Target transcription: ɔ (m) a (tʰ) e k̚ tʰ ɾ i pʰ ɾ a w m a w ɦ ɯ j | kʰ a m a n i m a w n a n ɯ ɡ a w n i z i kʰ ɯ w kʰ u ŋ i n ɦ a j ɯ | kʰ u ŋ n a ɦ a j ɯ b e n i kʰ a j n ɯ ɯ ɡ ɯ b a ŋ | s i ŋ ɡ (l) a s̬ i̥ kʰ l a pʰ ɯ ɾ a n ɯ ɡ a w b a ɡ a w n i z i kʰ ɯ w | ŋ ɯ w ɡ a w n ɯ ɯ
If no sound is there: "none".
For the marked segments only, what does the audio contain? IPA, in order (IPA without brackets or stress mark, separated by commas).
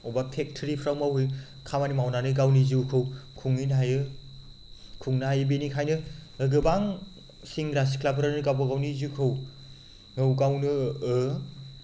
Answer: b, pʰ, ɾ